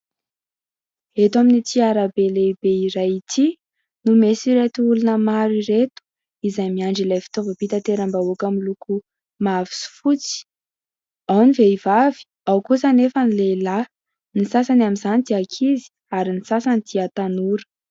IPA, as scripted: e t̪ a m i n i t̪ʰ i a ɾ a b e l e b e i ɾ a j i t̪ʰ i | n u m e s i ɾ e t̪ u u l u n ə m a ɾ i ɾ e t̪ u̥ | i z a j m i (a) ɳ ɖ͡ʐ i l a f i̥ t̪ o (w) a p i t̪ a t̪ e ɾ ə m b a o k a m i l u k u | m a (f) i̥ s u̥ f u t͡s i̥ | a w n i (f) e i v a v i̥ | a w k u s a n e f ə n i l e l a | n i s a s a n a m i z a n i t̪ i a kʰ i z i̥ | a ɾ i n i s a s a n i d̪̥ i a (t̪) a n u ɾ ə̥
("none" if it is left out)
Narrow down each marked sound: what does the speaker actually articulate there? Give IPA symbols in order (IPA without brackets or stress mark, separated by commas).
a, v, v, v, t̪